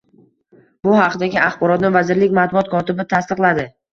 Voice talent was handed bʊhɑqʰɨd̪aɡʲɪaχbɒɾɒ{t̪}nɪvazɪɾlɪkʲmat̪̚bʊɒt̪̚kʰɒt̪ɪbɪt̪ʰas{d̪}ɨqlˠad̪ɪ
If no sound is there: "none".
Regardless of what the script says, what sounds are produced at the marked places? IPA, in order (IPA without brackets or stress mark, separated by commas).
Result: t̪, t̪